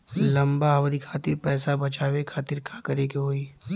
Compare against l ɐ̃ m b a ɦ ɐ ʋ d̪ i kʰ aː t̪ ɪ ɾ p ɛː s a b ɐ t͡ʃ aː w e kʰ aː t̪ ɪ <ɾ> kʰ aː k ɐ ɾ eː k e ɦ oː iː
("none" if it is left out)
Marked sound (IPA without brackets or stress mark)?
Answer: ɾ